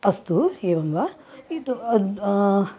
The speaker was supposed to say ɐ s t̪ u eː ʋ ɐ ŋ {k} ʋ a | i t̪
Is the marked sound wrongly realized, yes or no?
yes